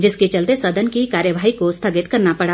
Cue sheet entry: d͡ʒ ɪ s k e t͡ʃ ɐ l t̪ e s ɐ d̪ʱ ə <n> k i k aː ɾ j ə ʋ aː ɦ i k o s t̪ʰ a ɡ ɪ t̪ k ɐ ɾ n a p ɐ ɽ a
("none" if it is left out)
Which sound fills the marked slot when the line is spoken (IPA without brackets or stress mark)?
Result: n